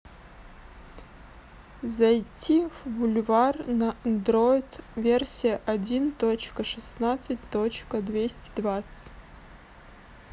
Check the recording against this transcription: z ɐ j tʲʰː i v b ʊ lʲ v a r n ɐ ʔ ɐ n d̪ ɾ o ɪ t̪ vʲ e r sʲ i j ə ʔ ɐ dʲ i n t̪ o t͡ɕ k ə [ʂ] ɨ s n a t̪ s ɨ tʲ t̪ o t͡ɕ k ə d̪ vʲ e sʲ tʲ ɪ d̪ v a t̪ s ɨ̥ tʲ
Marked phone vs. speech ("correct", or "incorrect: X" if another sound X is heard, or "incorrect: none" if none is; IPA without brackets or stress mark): correct